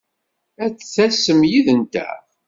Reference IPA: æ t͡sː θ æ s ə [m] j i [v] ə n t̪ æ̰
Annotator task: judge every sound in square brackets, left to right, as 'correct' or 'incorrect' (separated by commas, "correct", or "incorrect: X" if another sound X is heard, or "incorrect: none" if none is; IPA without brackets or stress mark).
correct, incorrect: ð